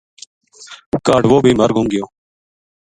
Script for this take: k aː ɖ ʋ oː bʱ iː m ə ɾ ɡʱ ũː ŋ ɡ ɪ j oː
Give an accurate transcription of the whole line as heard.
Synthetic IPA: k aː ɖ ʋ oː bʱ iː m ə ɾ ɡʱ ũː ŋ ɡ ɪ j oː